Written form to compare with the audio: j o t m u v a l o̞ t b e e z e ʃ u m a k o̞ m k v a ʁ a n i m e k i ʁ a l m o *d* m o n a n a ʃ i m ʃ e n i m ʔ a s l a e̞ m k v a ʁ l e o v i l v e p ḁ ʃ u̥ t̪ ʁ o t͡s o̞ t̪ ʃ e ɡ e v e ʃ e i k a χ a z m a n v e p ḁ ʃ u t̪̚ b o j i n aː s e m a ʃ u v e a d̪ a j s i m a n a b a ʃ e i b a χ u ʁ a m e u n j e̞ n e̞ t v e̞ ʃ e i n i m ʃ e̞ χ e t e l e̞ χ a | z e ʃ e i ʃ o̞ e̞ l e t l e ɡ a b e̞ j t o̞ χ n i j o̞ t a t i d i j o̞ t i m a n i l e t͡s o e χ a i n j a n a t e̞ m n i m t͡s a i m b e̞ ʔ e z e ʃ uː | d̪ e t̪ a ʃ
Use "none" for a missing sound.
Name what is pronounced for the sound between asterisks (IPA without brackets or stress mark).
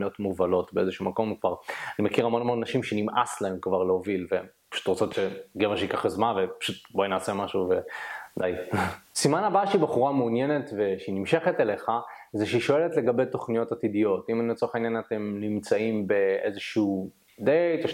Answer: n